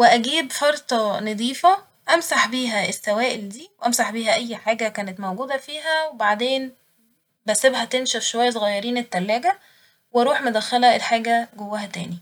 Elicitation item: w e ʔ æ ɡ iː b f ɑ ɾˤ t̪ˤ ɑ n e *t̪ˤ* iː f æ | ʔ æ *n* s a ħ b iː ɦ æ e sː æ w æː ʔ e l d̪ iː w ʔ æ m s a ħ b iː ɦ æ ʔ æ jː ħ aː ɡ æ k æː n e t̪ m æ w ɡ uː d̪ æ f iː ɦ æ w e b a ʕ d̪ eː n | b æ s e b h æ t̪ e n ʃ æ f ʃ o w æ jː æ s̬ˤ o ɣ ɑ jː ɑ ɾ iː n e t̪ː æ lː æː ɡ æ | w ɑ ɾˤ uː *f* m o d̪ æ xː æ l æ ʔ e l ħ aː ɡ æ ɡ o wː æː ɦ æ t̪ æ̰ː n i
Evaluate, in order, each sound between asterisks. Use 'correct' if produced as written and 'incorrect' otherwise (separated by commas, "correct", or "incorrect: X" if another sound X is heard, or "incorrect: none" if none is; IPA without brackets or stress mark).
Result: incorrect: d̪ˤ, incorrect: m, incorrect: ħ